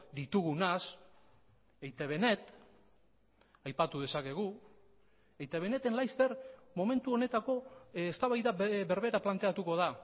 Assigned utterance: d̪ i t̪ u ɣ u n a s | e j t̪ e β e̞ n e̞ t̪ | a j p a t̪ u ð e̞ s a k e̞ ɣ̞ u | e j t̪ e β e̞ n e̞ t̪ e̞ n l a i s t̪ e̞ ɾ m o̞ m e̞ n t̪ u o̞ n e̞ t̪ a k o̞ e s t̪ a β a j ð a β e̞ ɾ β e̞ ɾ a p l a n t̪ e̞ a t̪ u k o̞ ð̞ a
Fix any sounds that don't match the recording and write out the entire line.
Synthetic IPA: d̪ i t̪ u ɣ u n a s | e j t̪ e β e̞ n e̞ t̪ | a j p a t̪ u ð e̞ s a k e̞ ɣ̞ u | e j t̪ e β e̞ n e̞ t̪ e̞ n l a j s t̪ e̞ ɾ m o̞ m e̞ n t̪ u o̞ n e̞ t̪ a k o̞ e s t̪ a β a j ð a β e̞ ɾ β e̞ ɾ a p l a n t̪ e̞ a t̪ u k o̞ ð̞ a

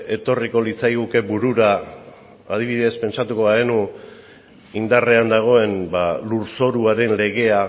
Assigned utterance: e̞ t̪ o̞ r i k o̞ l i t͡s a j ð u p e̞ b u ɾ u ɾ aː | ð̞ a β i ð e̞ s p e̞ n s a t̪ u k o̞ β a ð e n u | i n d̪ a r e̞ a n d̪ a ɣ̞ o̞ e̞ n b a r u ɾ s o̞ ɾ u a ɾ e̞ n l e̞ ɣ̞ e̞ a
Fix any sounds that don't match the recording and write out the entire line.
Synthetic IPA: e̞ t̪ o̞ r i k o̞ l i t͡s a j ɣ u k e̞ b u ɾ u ɾ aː | ð̞ i β i ð e̞ s p e̞ n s a t̪ u k o̞ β a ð e n u | i n d̪ a r e̞ a n d̪ a ɣ̞ o̞ e̞ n b a l u ɾ s o̞ ɾ u a ɾ e̞ n l e̞ ɣ̞ e̞ a

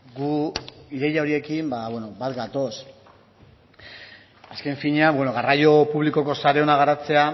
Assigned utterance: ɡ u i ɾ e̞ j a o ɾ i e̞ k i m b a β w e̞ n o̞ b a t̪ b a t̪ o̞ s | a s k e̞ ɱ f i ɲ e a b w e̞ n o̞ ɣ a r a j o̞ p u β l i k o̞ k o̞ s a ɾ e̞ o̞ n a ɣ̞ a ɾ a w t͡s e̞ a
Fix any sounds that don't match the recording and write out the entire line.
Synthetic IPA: ɡ u i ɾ e̞ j a o ɾ i e̞ k i m b a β w e̞ n o̞ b a t̪ ɡ a t̪ o̞ s | a s k e̞ ɱ f i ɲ e a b w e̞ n o̞ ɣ a r a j o̞ p u β l i k o̞ k o̞ s a ɾ e̞ o̞ n a ɣ̞ a ɾ a t͡s e̞ a

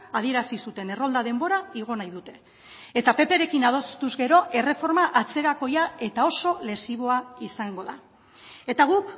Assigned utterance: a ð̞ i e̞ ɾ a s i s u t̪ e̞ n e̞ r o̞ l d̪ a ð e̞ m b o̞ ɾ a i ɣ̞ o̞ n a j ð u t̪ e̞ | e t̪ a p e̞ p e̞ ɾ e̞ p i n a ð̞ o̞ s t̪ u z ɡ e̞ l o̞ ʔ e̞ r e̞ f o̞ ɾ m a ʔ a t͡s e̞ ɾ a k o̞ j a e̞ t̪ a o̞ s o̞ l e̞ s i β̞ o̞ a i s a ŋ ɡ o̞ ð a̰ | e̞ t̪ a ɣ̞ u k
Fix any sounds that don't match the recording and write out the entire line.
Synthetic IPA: a ð̞ i e̞ ɾ a s i s u t̪ e̞ n e̞ r o̞ l d̪ a ð e̞ m b o̞ ɾ a i ɣ̞ o̞ n a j ð u t̪ e̞ | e t̪ a p e̞ p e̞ ɾ e̞ k i n a ð̞ o̞ s t̪ u z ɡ e̞ ɾ o̞ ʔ e̞ r e̞ f o̞ ɾ m a ʔ a t͡s e̞ ɾ a k o̞ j a e̞ t̪ a o̞ s o̞ l e̞ s i β̞ o̞ a i s a ŋ ɡ o̞ ð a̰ | e̞ t̪ a ɣ̞ u k

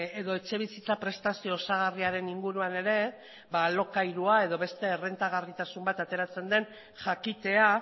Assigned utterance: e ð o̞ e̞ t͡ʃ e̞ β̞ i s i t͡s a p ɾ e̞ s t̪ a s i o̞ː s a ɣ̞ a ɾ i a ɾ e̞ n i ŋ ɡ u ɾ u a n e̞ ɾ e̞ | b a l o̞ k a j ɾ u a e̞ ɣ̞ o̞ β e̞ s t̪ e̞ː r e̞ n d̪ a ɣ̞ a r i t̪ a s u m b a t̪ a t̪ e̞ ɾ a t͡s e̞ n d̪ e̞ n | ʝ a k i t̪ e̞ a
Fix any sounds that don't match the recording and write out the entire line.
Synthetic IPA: e ð o̞ e̞ t͡ʃ e̞ β̞ i s i t͡s a p ɾ e̞ s t̪ a s i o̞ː s a ɣ̞ a r i a ɾ e̞ n i ŋ ɡ u ɾ u a n e̞ ɾ e̞ | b a l o̞ k a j ɾ u a e̞ ð̞ o̞ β e̞ s t̪ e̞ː r e̞ n t̪ a ɣ̞ a r i t̪ a s u m b a t̪ a t̪ e̞ ɾ a t͡s e̞ n d̪ e̞ n | ʝ a k i t̪ e̞ a

